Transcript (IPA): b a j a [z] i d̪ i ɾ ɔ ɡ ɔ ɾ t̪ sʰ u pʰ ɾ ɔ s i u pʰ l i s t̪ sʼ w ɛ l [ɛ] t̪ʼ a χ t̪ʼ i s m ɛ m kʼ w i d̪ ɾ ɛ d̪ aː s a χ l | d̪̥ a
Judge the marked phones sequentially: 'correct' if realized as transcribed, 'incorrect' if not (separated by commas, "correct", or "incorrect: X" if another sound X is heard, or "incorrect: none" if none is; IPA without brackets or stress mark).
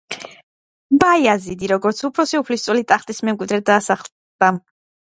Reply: correct, incorrect: i